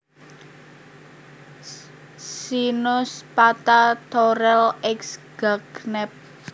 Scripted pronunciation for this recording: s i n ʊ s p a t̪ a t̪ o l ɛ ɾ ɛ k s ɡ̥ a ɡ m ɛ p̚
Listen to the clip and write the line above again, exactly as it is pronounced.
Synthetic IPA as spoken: s i n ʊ s p a t̪ a t̪ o ɾ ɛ l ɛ k s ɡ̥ a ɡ n ɛ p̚